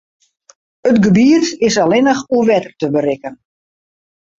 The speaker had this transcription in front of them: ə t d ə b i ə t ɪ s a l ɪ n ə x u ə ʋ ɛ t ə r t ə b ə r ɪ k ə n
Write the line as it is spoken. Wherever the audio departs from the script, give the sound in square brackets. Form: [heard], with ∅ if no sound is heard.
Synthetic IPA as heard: ə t [ɡ] ə b i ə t ɪ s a l ɪ n ə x u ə ʋ ɛ t ə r t ə b ə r ɪ k ə n